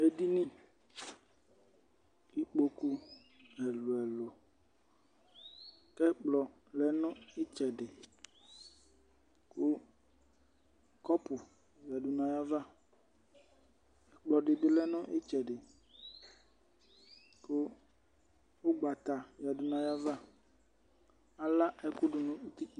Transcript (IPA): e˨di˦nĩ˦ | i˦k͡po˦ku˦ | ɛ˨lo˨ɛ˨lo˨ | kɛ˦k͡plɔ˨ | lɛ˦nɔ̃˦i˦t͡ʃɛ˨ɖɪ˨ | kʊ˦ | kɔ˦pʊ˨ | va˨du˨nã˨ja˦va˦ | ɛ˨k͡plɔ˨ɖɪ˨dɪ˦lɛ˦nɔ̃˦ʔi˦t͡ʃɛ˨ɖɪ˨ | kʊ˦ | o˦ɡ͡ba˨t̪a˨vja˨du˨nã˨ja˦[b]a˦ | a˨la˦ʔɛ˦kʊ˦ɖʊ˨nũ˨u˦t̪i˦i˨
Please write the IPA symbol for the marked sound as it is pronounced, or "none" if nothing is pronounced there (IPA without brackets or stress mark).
v